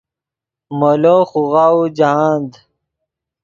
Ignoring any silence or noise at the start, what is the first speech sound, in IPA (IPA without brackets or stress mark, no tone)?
m